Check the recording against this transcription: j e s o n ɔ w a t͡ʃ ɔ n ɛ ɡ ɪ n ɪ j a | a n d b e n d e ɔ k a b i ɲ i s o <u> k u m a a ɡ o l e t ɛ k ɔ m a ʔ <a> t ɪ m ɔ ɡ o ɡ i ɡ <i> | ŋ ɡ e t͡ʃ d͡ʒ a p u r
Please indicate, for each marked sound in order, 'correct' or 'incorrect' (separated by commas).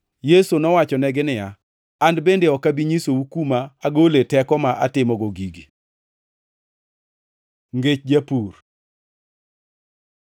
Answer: correct, correct, correct